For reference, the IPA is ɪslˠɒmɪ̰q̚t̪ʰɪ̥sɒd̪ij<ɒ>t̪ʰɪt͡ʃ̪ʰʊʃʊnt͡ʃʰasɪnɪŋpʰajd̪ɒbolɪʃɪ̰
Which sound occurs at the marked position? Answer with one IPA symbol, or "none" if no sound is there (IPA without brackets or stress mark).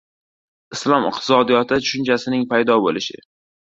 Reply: ɒ